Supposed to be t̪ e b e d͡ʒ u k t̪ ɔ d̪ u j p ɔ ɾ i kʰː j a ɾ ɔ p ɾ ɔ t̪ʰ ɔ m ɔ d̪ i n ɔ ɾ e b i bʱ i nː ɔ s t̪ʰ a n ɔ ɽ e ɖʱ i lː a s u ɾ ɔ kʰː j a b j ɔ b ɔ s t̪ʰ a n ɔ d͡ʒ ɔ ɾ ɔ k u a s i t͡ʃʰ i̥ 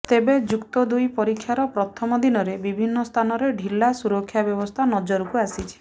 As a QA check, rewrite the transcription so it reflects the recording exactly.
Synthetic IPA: t̪ e b e d͡ʒ u k t̪ ɔ d̪ u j p ɔ ɾ i kʰː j a ɾ ɔ p ɾ ɔ t̪ʰ ɔ m ɔ d̪ i n ɔ ɾ e b i bʱ i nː ɔ s t̪ʰ a n ɔ ɾ e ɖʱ i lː a s u ɾ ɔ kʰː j a b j ɔ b ɔ s t̪ʰ a n ɔ d͡ʒ ɔ ɾ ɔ k u a s i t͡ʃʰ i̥